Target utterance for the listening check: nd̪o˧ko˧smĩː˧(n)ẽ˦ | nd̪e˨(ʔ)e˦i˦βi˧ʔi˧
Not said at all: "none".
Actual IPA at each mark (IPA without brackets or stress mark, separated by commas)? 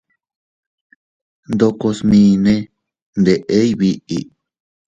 n, ʔ